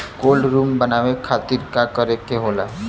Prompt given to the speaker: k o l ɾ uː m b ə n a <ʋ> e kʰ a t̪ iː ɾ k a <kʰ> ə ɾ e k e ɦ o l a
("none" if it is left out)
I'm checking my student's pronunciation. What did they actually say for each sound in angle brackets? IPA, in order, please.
ʋ, k

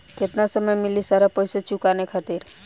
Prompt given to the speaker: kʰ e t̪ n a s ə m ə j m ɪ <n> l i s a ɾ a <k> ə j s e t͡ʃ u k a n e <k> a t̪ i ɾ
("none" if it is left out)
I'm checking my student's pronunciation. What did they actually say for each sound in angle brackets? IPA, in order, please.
none, p, kʰ

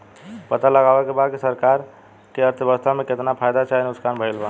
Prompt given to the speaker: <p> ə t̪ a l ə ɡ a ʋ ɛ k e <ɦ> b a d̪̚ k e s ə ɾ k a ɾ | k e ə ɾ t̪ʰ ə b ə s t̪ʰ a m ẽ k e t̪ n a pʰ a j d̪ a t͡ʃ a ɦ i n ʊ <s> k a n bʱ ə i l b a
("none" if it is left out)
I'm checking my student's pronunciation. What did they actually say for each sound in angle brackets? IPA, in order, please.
p, none, s

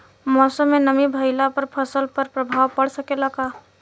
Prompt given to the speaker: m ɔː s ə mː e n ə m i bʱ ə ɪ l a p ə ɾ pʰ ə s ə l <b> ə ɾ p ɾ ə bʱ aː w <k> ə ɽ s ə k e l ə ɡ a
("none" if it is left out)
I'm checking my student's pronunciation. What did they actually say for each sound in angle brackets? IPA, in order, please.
p, p

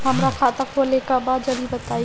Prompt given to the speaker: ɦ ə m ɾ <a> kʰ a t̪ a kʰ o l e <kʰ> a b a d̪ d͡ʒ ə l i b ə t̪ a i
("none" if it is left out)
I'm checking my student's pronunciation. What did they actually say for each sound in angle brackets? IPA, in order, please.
a, k

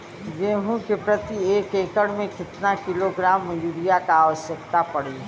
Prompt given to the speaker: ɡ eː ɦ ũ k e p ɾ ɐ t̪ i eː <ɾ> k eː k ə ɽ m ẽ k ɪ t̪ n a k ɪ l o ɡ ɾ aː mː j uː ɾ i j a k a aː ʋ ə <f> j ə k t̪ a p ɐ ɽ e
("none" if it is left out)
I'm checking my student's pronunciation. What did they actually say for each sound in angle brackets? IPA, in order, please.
none, ʃ

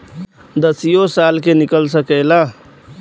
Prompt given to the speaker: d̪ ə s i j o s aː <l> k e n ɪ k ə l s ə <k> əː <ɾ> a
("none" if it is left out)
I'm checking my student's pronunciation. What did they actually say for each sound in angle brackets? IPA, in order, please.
l, k, l

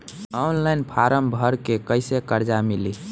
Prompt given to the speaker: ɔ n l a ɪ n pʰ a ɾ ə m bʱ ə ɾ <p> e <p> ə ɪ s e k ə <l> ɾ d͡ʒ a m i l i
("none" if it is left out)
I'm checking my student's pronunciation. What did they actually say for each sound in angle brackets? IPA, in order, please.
k, k, none

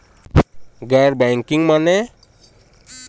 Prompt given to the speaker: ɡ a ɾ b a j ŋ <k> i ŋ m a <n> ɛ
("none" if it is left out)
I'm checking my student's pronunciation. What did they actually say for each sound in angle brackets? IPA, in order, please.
k, n

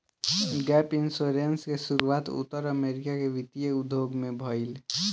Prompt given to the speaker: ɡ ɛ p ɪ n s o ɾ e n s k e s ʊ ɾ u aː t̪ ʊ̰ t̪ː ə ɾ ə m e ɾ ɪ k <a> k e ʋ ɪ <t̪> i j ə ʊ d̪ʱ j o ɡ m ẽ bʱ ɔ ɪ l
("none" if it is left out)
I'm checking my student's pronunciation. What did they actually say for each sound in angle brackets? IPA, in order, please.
a, t̪

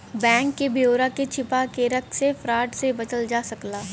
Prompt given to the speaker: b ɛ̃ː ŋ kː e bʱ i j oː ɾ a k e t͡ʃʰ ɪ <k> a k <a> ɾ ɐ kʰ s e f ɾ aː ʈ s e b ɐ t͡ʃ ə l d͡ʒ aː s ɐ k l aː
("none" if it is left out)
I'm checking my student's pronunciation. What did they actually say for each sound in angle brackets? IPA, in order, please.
p, e

